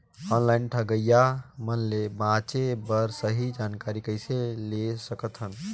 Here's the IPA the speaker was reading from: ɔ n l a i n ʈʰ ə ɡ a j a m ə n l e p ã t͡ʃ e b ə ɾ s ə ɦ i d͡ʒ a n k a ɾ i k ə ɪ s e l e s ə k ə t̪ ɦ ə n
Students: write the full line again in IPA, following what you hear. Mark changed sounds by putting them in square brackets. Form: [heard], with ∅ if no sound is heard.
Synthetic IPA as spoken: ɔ n l a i n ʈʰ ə ɡ [ə] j a m ə n l e [b] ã t͡ʃ e b ə ɾ s ə ɦ i d͡ʒ a n k a ɾ i k ə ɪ s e l e s ə k ə t̪ ɦ ə n